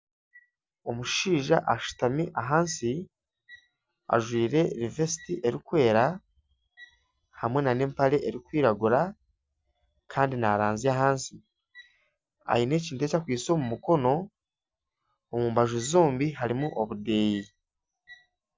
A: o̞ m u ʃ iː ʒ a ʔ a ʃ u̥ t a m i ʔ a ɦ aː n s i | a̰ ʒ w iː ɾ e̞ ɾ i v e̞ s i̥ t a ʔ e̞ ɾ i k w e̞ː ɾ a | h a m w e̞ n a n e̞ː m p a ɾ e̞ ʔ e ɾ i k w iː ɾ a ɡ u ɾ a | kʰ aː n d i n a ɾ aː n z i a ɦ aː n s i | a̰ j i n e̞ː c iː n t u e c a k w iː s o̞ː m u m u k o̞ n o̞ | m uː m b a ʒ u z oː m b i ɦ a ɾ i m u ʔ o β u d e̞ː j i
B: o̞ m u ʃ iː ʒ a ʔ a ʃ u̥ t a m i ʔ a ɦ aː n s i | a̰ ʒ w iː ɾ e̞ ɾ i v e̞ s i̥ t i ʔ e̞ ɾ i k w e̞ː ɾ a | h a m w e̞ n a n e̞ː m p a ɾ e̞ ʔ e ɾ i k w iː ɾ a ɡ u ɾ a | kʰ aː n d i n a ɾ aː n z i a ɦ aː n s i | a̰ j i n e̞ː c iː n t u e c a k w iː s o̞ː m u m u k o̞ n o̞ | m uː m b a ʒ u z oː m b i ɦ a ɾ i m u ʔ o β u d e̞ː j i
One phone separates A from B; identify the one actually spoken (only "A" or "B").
B